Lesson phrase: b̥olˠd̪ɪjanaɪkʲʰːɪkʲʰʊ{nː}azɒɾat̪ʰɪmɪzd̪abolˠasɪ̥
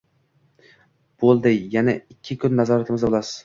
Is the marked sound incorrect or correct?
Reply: correct